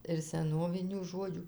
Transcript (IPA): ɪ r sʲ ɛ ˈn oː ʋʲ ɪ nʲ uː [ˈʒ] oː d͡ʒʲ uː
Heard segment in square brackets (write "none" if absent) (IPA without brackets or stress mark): ʒ